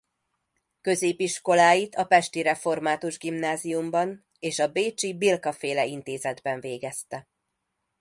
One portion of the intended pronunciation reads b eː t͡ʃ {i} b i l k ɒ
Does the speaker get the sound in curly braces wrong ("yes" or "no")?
no